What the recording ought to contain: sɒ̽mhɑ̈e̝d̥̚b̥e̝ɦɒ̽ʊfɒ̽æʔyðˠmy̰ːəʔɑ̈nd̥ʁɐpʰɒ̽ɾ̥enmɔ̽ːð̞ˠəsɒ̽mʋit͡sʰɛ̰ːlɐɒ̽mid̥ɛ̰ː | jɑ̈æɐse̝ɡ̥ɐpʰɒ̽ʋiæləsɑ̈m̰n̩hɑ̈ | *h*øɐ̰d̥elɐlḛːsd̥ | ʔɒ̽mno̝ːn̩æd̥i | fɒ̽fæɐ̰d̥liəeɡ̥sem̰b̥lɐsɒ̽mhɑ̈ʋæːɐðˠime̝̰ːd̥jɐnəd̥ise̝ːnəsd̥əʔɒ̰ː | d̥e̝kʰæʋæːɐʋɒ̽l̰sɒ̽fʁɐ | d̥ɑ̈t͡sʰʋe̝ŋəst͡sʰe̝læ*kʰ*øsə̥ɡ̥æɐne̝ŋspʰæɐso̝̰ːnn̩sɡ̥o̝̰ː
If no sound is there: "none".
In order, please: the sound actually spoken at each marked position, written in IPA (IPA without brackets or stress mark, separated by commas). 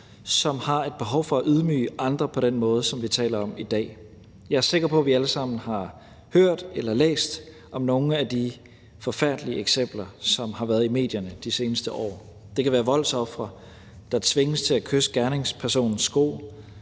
h, kʰ